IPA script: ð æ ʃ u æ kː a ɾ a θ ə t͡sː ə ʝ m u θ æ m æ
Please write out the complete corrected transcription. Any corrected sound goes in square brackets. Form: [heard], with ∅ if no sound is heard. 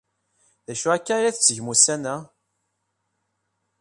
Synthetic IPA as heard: ð æ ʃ u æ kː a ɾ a θ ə t͡sː ə ʝ m u [s] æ [n] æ